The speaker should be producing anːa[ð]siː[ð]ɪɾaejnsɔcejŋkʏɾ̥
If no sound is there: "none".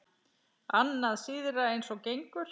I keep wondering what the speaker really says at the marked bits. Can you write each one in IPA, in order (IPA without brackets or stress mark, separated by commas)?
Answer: ð, ð